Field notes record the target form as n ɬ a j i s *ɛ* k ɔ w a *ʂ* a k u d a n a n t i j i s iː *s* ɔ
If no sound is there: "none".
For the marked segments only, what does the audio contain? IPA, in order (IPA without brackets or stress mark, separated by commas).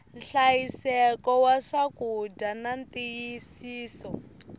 ɛ, ʂ, s